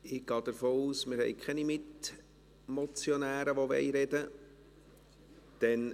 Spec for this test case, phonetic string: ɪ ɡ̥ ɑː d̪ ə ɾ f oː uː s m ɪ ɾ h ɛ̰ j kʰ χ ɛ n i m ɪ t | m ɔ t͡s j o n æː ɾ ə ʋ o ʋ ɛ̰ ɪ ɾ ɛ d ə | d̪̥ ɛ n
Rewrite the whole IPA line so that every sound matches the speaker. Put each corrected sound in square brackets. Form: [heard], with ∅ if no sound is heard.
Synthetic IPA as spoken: ɪ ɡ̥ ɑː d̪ ə ɾ f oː uː s m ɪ ɾ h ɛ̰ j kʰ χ ɛ n i m ɪ t | m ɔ t͡s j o n æː ɾ ə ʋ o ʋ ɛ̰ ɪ ɾ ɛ d ə | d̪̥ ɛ n